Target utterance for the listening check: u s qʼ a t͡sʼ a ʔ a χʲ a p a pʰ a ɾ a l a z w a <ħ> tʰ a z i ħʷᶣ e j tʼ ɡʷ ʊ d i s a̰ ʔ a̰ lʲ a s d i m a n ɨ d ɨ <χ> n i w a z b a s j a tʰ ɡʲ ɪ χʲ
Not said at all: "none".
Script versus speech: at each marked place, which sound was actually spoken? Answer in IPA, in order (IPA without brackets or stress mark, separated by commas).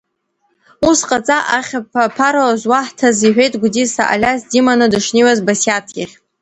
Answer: ħ, ʂ